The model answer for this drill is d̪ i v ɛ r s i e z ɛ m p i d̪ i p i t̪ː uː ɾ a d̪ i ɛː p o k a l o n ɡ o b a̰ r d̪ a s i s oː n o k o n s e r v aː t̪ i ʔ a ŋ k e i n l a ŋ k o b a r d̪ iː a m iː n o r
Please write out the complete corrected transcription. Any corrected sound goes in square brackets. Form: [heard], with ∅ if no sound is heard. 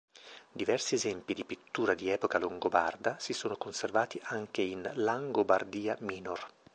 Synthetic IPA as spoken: d̪ i v ɛ r s i e z ɛ m p i d̪ i p i t̪ː uː ɾ a d̪ i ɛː p o k a l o [ŋ] ɡ o b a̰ r d̪ a s i s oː n o k o n s e r v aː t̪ i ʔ a ŋ k e i n l a ŋ [ɡ] o b a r d̪ iː a m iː n o r